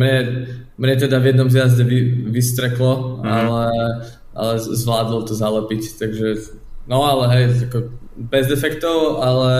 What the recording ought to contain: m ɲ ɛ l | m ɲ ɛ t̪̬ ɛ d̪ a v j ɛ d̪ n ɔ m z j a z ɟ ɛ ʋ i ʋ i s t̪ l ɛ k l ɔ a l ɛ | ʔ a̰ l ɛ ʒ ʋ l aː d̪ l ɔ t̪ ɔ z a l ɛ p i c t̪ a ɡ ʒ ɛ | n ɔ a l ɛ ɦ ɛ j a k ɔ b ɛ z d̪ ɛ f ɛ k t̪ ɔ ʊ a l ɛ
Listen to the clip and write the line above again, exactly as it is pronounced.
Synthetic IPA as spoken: m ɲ ɛ | m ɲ ɛ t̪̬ ɛ d̪ a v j ɛ d̪ n ɔ m z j a z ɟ ɛ ʋ i ʋ i s t̪ ɾ ɛ k l ɔ a l ɛ | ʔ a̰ l ɛ z ʋ l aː d̪ l ɔ t̪ ɔ z a l ɛ p i c t̪ a ɡ ʒ ɛ | n ɔ a l ɛ ɦ ɛ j a k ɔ b ɛ z d̪ ɛ f ɛ k t̪ ɔ ʊ a l ɛ